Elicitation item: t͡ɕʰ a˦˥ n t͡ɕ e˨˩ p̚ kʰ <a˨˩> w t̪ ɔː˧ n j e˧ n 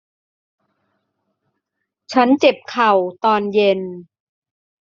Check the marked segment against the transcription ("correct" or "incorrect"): correct